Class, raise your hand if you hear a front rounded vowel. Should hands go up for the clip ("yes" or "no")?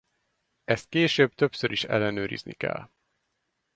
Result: yes